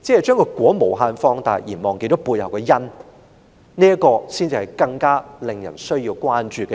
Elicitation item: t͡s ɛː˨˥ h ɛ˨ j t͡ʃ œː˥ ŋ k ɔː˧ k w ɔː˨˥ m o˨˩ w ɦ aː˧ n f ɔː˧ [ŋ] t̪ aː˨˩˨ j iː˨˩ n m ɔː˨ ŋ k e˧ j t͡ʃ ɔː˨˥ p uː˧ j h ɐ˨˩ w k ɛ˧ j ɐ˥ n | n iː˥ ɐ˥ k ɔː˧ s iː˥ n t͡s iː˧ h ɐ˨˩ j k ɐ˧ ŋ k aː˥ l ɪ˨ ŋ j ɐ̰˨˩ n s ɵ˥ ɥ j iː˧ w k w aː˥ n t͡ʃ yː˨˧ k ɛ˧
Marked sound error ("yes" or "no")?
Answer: no